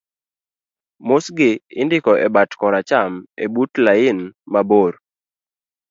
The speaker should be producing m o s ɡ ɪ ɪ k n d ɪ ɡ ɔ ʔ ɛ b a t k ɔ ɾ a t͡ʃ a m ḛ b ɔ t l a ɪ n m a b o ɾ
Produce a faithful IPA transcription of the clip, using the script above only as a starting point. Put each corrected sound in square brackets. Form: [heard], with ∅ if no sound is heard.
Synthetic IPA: m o s ɡ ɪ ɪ [∅] n d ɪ [k] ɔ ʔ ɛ b a t k ɔ ɾ a t͡ʃ a m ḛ b [u] t l a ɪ n m a b o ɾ